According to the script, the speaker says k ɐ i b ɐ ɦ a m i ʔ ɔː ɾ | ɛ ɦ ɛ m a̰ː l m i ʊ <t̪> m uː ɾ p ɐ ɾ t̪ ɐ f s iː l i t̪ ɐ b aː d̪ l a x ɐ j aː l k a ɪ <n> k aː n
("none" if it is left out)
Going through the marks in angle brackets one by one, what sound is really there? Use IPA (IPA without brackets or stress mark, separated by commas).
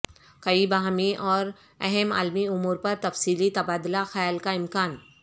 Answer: none, m